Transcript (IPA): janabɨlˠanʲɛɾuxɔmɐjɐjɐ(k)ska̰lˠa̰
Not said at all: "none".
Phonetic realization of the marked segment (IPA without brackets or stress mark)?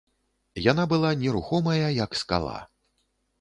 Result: k